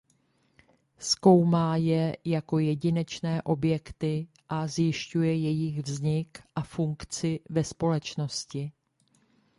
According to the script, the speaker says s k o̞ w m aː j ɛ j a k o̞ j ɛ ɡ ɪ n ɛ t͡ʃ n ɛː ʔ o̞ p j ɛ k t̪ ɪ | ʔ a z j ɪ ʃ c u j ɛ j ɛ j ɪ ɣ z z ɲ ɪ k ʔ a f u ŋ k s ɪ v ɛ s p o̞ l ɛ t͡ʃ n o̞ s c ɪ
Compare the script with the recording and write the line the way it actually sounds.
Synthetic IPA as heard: s k o̞ w m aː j ɛ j a k o̞ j ɛ ɟ ɪ n ɛ t͡ʃ n ɛː ʔ o̞ b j ɛ k t̪ ɪ | ʔ a z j ɪ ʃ c u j ɛ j ɛ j ɪ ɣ v z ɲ ɪ k ʔ a f u ŋ k t͡s ɪ v ɛ s p o̞ l ɛ t͡ʃ n o̞ s c ɪ